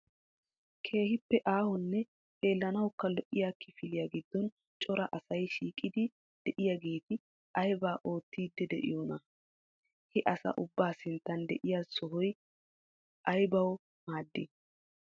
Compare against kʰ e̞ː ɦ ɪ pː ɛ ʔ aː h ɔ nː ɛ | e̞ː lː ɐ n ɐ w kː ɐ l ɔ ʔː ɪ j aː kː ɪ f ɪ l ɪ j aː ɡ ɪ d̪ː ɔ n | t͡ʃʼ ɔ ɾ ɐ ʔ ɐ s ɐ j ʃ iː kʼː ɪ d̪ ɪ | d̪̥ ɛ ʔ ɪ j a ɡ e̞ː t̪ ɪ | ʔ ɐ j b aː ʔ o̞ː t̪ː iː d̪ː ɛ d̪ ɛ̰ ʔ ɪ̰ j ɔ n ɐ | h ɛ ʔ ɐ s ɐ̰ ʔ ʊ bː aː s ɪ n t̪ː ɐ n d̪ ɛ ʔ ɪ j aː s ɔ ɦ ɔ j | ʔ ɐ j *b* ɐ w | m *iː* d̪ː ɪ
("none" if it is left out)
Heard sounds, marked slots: b, aː

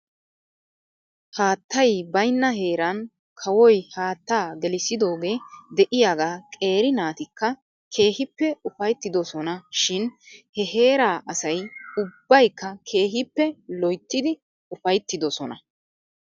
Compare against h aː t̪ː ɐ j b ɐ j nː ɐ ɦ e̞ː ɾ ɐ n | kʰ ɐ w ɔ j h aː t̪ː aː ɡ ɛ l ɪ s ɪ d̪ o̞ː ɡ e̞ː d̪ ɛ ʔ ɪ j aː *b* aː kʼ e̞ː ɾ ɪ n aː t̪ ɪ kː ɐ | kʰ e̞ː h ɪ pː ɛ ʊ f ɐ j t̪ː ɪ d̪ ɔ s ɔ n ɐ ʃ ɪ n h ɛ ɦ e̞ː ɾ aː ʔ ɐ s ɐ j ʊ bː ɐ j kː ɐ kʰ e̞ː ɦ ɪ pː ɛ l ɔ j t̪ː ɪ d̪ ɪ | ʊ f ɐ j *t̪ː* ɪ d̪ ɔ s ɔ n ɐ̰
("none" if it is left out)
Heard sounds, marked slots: ɡ, t̪ː

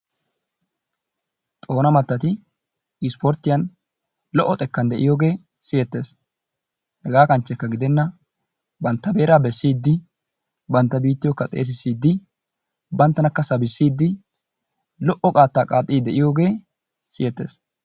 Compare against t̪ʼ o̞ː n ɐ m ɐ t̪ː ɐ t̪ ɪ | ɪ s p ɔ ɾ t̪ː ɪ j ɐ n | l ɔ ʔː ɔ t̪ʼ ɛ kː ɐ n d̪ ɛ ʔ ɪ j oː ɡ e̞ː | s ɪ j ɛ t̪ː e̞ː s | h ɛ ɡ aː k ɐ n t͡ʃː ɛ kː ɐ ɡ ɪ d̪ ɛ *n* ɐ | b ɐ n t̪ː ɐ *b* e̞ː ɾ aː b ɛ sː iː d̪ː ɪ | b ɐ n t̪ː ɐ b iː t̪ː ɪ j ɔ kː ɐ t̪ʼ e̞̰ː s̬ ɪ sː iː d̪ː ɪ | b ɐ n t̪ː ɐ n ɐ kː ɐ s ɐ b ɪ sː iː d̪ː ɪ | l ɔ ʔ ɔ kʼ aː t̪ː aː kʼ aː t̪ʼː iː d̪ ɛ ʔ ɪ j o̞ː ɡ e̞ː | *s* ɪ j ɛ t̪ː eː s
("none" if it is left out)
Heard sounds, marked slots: nː, b, s

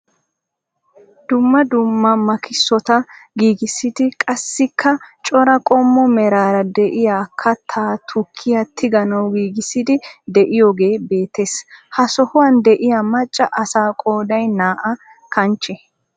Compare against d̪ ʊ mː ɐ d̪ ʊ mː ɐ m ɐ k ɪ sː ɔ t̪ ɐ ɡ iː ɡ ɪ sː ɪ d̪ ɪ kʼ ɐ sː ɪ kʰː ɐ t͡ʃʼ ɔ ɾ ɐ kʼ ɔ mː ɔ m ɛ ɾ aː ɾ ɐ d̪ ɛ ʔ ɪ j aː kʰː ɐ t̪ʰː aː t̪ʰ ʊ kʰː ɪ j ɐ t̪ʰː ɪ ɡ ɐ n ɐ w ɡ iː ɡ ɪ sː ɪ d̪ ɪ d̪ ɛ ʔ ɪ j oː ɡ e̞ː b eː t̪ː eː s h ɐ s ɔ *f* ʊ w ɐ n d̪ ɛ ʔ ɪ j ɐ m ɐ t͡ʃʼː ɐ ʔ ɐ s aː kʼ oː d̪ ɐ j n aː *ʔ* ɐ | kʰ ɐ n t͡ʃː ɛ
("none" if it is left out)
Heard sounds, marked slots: h, ʔ

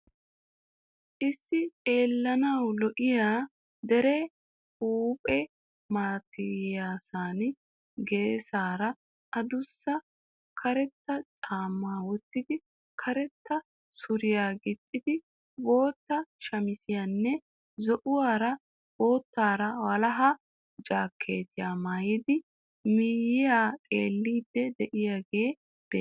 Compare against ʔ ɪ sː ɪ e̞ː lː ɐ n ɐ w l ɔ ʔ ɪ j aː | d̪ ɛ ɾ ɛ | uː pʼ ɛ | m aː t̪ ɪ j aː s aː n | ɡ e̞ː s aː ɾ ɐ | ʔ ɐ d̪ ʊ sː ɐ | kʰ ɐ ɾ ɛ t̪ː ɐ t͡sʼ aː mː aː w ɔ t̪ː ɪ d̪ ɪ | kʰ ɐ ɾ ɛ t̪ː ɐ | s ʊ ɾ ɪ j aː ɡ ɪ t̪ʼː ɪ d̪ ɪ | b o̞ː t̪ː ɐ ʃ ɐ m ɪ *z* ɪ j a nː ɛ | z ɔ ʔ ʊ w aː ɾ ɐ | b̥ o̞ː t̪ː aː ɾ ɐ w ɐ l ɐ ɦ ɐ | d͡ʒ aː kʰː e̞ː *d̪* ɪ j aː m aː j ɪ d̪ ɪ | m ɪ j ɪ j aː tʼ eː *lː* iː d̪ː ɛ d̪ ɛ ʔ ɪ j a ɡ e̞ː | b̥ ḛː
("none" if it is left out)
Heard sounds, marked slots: s, t̪, lː

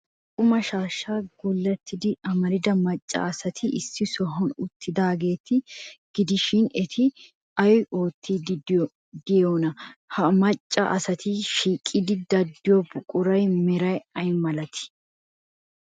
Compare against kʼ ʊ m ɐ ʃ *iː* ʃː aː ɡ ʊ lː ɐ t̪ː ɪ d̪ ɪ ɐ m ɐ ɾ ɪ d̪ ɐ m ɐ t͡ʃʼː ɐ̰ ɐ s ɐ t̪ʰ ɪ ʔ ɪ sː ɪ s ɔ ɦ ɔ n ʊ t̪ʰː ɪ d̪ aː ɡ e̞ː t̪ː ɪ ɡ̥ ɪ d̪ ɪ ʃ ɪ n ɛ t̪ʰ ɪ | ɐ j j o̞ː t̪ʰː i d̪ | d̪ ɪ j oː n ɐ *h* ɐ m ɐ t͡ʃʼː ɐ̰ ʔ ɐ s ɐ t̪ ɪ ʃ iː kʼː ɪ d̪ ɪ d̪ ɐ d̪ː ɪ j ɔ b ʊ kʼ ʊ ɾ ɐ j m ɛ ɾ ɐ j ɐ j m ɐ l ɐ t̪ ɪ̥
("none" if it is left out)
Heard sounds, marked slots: aː, h

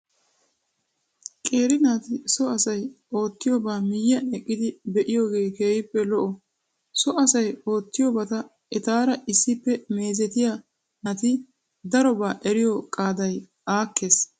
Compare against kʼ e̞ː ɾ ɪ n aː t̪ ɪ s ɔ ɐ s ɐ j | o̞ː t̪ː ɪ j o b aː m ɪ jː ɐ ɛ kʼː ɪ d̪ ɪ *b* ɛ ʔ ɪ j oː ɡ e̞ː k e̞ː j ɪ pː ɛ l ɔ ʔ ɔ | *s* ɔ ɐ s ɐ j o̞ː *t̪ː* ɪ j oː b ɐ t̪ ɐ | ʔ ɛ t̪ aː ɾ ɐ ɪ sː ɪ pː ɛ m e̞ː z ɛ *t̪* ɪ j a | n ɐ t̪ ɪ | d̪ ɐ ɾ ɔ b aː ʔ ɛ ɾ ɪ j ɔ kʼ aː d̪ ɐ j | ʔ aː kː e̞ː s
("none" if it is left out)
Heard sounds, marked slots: b, s, t̪ː, t̪

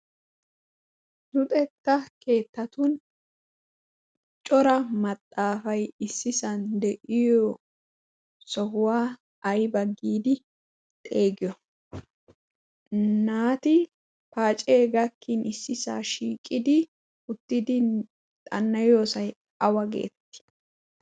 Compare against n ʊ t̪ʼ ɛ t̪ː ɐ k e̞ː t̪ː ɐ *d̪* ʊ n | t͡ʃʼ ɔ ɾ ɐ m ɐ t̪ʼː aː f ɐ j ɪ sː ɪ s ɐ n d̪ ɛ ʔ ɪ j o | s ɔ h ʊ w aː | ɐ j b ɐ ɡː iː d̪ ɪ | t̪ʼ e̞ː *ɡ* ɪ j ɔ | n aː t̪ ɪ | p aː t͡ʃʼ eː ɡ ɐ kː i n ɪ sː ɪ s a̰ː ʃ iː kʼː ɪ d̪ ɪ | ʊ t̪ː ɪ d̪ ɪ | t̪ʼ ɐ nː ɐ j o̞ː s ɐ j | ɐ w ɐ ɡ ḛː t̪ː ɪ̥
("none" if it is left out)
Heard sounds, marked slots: t̪, ɡ

